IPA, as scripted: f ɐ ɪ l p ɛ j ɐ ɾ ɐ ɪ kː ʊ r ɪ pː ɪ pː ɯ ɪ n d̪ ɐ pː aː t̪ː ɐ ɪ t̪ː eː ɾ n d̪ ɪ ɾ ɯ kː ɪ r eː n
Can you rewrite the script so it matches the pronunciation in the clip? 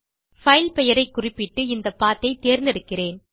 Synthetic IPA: f ɐ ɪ l p ɛ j ɐ ɾ ɐ ɪ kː ʊ r ɪ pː ɪ ʈː ɯ ɪ n d̪ ɐ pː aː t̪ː ɐ ɪ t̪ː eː ɾ n d̪ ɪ ɽ ɯ kː ɪ r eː n